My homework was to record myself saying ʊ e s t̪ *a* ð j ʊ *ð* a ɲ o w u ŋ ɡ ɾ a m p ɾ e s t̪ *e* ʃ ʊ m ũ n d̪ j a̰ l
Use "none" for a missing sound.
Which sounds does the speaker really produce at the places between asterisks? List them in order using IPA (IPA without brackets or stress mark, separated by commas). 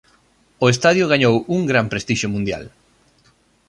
a, ɣ, i